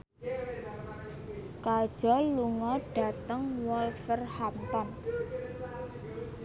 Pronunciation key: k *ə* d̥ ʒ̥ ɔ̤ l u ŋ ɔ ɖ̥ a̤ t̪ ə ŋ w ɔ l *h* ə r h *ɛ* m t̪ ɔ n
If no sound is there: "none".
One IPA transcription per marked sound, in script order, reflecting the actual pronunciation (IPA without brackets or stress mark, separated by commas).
a, f, a